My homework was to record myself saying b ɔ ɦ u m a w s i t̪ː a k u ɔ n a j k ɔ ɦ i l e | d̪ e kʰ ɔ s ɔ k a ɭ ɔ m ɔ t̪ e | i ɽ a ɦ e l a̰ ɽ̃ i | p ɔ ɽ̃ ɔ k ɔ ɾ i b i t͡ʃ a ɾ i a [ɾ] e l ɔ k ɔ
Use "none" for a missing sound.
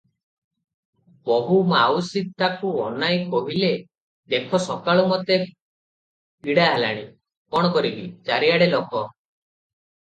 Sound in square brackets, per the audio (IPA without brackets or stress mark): ɽ